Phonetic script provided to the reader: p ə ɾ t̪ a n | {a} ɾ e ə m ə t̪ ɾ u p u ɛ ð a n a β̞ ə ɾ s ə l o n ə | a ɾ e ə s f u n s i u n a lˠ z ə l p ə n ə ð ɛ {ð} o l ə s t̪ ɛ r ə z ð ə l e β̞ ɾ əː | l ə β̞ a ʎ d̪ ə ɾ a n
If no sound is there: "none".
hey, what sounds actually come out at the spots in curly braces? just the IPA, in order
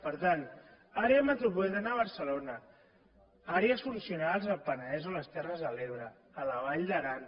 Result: a, z

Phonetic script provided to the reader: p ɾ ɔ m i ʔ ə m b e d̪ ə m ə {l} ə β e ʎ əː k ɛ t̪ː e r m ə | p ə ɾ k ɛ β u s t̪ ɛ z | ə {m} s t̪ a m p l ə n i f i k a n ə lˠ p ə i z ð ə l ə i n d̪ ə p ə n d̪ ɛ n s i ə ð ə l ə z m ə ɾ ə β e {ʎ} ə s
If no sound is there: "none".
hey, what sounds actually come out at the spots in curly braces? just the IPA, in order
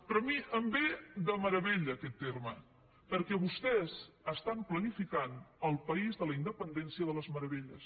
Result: ɾ, none, ʎ

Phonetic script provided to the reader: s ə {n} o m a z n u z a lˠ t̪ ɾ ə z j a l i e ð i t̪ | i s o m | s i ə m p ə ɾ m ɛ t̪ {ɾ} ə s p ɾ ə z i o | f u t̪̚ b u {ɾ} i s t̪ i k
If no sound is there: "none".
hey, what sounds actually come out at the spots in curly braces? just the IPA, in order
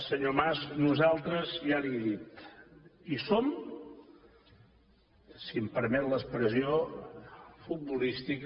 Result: ɲ, l, l

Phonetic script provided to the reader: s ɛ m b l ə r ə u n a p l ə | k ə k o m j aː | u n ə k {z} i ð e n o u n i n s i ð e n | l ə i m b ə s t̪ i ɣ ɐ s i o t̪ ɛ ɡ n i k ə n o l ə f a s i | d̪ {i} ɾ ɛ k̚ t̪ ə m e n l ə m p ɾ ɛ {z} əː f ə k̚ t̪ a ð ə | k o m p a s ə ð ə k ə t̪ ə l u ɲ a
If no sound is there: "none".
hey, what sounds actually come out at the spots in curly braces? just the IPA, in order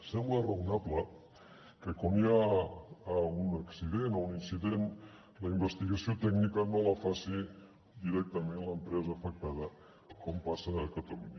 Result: s, i, z

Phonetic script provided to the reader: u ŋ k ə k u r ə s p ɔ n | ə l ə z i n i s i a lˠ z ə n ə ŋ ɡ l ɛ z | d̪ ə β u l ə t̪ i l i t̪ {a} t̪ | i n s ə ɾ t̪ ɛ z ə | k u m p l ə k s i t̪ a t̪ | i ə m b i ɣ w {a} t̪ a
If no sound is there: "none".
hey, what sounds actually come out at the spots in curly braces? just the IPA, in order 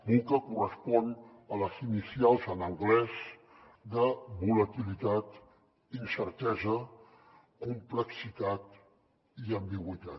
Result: a, i

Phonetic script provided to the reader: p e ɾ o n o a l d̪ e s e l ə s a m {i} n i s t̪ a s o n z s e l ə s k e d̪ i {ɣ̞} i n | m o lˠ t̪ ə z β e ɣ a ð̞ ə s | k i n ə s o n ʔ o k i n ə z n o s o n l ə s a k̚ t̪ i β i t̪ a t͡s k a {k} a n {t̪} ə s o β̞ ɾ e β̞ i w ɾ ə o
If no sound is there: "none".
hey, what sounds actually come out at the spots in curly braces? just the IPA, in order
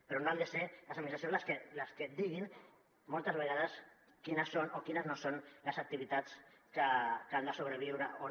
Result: i, ɣ̞, k, d̪

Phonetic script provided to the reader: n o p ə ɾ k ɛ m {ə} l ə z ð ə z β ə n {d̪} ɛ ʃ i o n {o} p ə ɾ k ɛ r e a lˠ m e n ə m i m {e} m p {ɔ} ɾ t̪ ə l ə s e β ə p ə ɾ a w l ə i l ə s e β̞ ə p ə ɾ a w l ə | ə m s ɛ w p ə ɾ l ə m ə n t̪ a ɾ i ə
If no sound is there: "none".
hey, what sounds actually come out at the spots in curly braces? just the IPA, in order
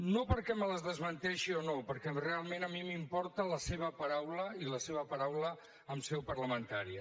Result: ə, t̪, o, i, ɔ

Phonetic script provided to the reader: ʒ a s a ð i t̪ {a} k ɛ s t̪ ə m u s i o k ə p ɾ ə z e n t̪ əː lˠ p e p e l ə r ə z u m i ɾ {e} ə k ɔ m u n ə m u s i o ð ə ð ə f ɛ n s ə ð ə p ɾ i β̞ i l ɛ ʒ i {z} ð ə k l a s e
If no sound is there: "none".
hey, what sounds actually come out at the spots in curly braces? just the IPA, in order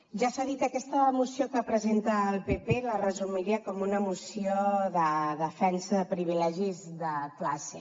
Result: ə, i, z

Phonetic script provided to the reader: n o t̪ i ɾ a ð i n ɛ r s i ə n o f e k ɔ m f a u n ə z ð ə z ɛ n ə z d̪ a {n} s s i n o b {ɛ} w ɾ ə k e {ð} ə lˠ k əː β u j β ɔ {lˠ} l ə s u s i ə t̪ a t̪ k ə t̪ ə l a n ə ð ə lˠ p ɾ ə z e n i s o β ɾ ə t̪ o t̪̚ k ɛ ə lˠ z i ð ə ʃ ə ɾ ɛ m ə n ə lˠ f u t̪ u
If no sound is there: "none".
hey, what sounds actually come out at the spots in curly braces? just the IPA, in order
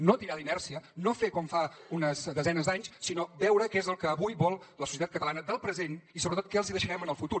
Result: ɲ, ɛ, z, lˠ

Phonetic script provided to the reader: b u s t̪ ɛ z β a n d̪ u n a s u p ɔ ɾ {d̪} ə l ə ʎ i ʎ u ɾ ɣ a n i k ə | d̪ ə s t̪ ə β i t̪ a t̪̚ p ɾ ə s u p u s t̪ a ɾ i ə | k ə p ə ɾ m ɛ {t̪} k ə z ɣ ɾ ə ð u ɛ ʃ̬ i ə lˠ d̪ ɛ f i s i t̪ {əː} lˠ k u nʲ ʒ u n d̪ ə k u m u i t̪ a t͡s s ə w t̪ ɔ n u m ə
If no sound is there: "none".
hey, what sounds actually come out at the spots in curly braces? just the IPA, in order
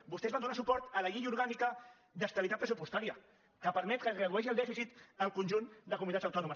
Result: t̪, t̪, ə

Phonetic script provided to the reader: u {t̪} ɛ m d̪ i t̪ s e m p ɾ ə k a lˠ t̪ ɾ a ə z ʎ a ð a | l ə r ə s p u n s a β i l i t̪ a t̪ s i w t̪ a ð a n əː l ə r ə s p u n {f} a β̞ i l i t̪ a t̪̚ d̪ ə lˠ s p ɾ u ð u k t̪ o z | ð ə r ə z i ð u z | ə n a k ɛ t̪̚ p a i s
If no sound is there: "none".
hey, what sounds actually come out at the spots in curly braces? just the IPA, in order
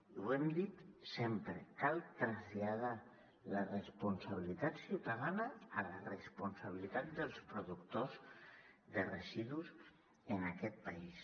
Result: none, s

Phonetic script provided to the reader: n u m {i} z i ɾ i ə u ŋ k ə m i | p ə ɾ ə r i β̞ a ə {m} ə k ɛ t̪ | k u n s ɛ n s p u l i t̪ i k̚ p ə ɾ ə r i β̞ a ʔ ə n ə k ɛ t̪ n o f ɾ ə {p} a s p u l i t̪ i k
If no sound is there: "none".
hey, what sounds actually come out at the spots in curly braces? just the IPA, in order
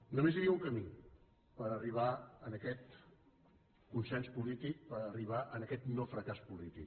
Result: e, n, k

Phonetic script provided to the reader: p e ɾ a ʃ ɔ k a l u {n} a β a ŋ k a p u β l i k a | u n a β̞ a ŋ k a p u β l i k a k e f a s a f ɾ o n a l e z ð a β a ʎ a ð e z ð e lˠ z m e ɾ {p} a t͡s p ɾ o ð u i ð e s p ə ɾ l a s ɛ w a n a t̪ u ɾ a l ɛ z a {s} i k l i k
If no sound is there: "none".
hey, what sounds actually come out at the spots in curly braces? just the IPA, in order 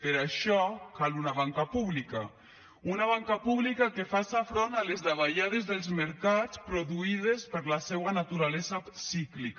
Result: n, k, s

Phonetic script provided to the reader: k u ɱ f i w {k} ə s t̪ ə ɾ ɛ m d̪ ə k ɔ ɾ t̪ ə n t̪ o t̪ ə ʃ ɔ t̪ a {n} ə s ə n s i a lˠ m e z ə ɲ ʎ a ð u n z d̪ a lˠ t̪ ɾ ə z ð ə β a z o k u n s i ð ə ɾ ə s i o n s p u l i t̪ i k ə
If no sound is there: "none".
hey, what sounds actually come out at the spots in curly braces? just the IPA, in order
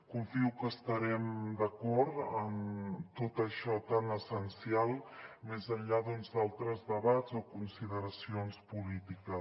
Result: k, n

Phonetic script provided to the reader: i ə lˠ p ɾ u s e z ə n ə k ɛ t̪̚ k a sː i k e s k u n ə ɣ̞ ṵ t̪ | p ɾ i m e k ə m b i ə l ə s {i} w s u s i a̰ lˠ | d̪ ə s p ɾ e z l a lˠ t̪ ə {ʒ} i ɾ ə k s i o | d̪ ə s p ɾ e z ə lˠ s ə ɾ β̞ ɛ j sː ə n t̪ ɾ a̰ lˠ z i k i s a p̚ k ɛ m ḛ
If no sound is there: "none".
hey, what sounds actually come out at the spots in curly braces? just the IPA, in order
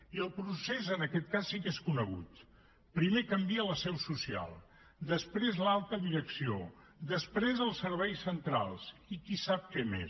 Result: ɛ, ð

